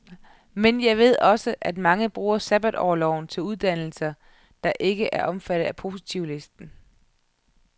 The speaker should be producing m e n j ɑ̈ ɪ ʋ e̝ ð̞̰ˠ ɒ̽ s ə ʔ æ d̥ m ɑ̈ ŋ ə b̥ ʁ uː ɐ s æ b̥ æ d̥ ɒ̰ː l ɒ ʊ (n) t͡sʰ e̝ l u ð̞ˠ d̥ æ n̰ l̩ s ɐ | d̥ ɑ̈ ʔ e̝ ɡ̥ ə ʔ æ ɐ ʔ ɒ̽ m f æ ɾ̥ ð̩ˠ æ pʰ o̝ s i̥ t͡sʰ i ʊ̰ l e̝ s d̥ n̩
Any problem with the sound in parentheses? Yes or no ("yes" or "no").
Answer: no